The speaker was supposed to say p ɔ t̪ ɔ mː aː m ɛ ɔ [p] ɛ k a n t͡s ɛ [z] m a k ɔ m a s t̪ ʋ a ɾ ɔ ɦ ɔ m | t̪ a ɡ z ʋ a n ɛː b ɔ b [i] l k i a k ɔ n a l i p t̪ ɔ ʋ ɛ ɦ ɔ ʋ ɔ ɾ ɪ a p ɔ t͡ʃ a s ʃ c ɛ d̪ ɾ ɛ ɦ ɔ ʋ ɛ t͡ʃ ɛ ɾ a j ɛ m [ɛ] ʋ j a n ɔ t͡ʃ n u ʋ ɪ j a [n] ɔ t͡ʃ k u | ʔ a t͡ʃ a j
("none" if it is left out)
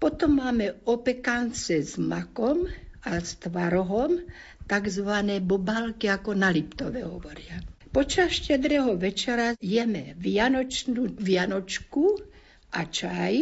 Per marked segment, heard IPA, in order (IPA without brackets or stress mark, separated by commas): p, z, a, ɛ, n